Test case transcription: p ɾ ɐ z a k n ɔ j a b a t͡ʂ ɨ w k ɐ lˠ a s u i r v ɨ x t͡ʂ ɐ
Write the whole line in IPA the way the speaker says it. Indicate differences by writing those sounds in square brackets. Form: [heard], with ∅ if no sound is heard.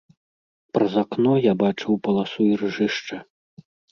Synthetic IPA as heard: p ɾ ɐ z a k n ɔ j a b a t͡ʂ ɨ w [p] ɐ lˠ a s u i r [ʐ] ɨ [ʂ] t͡ʂ ɐ